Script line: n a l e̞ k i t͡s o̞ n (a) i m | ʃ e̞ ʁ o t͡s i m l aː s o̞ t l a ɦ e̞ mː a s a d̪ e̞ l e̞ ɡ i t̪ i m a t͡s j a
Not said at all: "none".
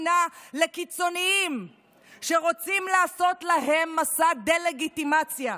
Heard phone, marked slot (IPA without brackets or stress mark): i